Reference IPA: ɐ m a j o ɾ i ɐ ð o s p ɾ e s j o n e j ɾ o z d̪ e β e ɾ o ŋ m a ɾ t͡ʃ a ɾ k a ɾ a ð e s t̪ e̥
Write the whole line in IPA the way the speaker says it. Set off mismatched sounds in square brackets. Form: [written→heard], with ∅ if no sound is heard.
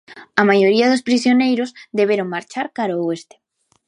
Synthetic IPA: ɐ m a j o ɾ i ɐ ð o s p ɾ [e→i] s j o n e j ɾ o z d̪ e β e ɾ o ŋ m a ɾ t͡ʃ a ɾ k a ɾ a [ð→∅] e s t̪ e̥